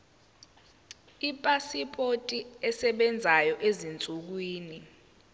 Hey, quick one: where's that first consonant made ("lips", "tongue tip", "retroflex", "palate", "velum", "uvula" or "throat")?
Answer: lips